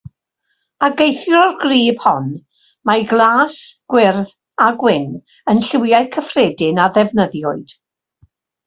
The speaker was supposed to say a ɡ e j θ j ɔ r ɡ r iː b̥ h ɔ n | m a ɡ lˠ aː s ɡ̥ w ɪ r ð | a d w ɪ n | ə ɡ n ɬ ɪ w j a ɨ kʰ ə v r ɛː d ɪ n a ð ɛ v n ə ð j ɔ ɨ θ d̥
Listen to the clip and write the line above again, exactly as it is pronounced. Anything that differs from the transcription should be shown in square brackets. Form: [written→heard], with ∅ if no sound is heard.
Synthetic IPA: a ɡ e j θ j ɔ r ɡ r iː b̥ h ɔ n | m a ɡ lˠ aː s ɡ̥ w ɪ r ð | a [d→ɡ] w ɪ n | ə [ɡ→∅] n ɬ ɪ w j a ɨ kʰ ə [v→f] r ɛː d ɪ n a ð ɛ v n ə ð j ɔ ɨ [θ→∅] d̥